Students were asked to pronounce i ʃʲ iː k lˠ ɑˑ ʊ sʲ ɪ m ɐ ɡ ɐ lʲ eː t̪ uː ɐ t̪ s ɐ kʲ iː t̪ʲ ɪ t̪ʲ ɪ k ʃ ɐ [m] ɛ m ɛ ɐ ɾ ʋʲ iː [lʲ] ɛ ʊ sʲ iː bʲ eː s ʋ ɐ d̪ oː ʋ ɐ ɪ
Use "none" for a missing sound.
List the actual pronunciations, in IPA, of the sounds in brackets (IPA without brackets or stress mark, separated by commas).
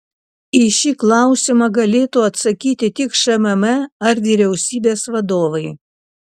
m, ɾʲ